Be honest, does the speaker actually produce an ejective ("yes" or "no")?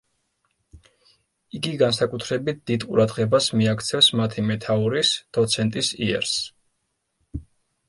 yes